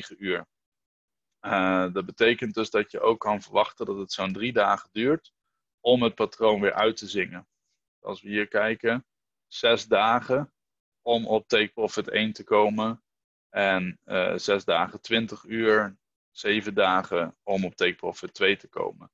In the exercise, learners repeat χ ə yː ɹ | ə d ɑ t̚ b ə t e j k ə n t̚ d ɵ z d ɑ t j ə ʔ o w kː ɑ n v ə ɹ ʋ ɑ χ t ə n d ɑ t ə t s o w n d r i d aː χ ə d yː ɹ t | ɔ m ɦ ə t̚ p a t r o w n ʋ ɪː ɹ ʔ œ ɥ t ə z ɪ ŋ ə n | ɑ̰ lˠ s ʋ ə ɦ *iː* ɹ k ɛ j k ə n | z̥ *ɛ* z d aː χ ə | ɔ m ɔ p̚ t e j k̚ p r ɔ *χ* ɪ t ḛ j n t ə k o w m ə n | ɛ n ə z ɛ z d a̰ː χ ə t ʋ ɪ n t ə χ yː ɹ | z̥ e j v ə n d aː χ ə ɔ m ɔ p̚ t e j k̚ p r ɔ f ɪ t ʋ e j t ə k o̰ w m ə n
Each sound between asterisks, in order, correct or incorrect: correct, correct, incorrect

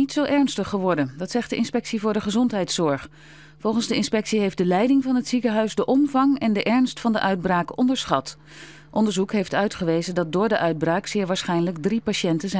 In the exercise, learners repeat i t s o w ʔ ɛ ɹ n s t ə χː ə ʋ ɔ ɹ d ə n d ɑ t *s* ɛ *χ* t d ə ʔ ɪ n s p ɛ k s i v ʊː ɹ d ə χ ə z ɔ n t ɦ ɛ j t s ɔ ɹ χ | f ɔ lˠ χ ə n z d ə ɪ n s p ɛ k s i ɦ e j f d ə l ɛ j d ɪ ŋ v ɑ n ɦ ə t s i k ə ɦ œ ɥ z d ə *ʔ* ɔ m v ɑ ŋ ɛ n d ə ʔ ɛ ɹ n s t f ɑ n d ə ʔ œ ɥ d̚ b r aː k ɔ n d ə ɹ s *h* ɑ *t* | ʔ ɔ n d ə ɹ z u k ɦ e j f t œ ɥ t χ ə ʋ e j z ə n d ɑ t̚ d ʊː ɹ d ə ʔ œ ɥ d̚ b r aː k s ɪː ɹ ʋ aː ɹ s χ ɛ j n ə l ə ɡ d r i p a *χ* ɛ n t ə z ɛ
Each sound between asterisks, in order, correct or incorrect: correct, correct, correct, incorrect, correct, incorrect

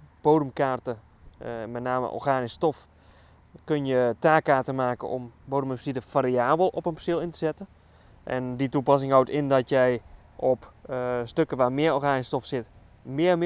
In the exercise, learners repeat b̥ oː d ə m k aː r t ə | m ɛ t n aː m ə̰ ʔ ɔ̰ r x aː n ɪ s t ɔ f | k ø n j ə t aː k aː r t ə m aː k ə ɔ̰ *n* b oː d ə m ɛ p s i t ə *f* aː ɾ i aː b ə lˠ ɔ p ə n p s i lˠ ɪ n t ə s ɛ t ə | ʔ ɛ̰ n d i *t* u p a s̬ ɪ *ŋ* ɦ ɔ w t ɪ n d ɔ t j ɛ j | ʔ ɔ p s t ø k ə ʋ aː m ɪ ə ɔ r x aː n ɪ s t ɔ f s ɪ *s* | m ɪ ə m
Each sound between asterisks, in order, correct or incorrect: incorrect, correct, correct, correct, incorrect

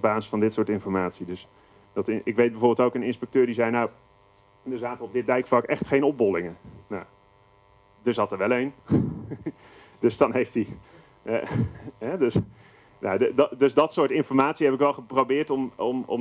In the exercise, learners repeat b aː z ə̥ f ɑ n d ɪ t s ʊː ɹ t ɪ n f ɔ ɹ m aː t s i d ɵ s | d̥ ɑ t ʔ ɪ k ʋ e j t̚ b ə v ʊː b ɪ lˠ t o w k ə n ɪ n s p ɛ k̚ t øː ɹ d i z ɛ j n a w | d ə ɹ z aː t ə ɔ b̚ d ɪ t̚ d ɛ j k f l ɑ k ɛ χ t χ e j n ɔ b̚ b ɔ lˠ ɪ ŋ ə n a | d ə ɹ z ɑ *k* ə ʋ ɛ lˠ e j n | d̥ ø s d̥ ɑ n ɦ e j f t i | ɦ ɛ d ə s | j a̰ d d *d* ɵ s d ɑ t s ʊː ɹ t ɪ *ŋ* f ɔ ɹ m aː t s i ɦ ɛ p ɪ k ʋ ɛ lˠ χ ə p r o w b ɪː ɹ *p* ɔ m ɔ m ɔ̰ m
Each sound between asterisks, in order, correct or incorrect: incorrect, correct, incorrect, incorrect

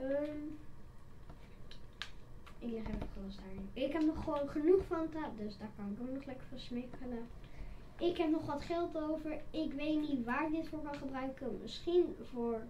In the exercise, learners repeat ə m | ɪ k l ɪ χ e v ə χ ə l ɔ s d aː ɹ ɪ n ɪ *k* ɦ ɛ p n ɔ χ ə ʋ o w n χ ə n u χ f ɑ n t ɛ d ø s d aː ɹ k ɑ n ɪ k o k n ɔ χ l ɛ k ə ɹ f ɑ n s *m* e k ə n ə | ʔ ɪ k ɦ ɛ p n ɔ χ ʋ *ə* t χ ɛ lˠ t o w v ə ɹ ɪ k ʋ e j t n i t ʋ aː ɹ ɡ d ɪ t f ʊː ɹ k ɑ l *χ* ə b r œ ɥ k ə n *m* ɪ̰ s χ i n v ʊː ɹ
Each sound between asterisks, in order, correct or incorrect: correct, correct, incorrect, correct, correct

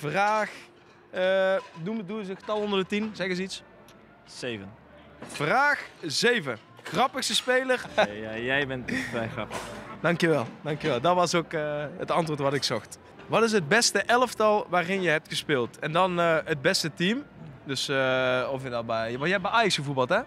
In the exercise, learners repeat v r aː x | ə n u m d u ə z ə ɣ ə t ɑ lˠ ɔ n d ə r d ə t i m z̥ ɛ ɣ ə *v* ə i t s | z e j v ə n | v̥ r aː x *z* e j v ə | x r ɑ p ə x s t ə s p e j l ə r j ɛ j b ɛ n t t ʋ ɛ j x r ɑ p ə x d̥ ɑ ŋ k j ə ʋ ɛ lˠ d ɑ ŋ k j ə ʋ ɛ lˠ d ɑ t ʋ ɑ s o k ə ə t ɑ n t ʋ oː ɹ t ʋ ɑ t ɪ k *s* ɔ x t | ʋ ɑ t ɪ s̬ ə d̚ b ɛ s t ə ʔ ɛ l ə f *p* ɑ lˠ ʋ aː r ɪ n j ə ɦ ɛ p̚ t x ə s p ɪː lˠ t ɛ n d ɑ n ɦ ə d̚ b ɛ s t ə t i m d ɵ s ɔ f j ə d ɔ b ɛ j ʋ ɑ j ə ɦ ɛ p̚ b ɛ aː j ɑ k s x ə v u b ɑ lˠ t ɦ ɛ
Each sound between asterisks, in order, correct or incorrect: incorrect, correct, correct, incorrect

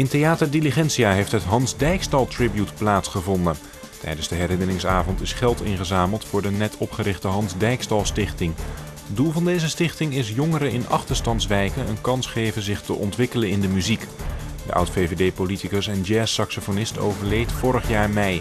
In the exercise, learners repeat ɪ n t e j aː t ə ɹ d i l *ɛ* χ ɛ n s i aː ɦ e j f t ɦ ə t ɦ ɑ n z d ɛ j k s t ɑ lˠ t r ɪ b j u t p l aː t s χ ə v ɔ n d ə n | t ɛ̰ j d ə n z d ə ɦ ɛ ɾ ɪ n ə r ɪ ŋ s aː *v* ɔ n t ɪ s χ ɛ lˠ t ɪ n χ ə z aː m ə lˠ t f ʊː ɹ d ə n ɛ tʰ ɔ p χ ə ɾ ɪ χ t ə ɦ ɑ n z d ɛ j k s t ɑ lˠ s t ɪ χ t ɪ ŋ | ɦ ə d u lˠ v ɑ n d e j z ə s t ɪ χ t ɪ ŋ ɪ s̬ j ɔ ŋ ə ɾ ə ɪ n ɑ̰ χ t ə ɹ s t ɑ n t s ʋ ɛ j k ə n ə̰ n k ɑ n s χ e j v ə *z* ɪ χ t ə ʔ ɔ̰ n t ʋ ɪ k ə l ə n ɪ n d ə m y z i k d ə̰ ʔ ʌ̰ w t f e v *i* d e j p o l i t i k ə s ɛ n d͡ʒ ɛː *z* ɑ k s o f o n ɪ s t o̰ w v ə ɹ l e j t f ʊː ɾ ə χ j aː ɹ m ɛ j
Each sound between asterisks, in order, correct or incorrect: incorrect, correct, correct, incorrect, incorrect

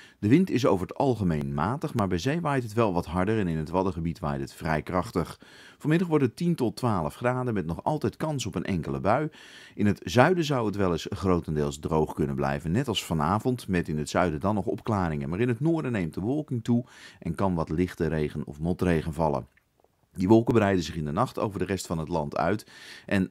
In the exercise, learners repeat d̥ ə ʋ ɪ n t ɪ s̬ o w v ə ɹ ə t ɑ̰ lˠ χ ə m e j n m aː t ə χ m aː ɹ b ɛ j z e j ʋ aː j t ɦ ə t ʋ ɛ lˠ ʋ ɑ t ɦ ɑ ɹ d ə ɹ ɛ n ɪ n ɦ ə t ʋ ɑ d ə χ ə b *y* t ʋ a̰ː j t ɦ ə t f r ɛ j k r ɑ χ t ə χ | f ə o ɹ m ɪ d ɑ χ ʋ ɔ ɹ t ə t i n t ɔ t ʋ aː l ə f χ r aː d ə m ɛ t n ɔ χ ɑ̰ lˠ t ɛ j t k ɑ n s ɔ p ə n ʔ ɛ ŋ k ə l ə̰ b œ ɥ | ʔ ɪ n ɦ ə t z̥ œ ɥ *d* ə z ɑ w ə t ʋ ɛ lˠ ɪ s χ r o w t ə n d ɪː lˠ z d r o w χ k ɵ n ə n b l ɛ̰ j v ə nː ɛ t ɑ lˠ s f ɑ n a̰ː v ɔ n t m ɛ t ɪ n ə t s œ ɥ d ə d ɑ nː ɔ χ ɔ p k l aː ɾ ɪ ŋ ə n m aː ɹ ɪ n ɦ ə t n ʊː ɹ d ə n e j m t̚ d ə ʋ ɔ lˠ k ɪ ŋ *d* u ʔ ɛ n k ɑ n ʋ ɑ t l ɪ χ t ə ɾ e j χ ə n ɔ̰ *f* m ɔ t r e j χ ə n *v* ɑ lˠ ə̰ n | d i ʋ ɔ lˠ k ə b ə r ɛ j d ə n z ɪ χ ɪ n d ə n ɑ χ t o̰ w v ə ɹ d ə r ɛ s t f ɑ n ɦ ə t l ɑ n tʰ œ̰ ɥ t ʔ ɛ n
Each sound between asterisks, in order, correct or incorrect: incorrect, correct, incorrect, correct, correct

